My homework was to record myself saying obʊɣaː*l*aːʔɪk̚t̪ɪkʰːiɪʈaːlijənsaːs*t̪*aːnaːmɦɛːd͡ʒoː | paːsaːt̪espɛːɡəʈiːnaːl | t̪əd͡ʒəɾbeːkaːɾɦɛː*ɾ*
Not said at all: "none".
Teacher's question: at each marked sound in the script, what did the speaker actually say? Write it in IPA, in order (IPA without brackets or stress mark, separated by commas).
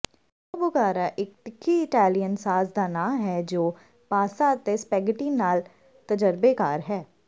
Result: ɾ, d̪, none